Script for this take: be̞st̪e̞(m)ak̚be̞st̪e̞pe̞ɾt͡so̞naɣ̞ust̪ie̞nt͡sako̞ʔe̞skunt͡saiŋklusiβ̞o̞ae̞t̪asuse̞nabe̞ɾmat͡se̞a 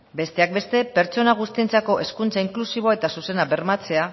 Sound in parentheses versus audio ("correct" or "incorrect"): incorrect